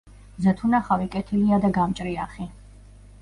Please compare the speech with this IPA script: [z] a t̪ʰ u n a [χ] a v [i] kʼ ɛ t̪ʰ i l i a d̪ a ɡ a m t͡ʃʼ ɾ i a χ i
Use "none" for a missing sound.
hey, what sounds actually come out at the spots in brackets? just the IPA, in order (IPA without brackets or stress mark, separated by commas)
z, χ, i